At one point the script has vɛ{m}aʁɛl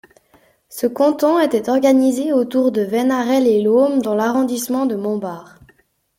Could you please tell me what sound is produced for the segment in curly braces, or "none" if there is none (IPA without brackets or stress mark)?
n